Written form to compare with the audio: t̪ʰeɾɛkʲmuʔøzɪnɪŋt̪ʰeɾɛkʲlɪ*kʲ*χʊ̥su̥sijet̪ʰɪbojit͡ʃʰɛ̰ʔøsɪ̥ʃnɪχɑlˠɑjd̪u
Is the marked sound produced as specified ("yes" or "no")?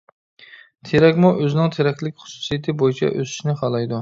yes